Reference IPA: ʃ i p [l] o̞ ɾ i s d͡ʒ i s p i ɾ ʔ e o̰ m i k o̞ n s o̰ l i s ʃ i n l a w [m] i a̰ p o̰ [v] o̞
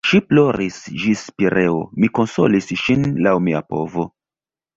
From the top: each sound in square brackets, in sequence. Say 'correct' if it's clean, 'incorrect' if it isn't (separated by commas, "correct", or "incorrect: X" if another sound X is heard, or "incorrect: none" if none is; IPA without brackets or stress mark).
correct, correct, correct